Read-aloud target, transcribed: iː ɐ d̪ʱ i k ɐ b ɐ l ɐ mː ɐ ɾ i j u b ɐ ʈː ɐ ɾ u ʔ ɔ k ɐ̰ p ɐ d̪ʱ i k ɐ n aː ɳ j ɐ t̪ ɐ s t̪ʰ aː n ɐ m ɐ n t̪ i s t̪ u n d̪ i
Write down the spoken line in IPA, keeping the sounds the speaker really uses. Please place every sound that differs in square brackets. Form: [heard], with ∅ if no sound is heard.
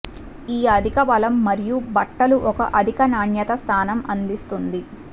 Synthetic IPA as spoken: iː ɐ d̪ʱ i k ɐ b ɐ l ɐ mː ɐ ɾ i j u b ɐ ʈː ɐ [l] u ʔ ɔ k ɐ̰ [ʔ] ɐ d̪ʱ i k ɐ n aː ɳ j ɐ t̪ ɐ s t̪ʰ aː n ɐ m ɐ n [d̪] i s t̪ u n d̪ i